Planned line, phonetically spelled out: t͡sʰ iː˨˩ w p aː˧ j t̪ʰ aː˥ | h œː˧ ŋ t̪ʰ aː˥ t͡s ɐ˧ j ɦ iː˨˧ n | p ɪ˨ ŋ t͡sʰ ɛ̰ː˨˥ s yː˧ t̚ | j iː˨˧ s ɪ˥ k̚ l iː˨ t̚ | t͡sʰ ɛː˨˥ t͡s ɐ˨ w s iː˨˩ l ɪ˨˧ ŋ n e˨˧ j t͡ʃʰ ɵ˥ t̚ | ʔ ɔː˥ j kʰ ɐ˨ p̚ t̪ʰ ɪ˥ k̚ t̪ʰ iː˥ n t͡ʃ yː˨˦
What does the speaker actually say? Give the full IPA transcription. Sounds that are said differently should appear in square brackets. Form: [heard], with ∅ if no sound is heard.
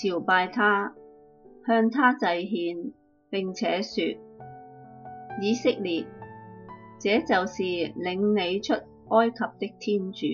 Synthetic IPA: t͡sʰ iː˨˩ w p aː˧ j t̪ʰ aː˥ | h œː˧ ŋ t̪ʰ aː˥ t͡s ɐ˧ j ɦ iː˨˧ n | p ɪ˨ ŋ t͡sʰ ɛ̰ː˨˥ s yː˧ t̚ | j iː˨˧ s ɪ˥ k̚ l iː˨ t̚ | [t͡s] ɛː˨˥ t͡s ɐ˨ w s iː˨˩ l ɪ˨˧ ŋ n e˨˧ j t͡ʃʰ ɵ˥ t̚ | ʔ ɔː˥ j kʰ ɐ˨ p̚ [t̪] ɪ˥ k̚ t̪ʰ iː˥ n t͡ʃ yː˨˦